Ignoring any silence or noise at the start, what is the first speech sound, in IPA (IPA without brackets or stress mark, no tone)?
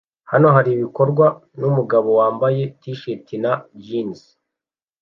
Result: h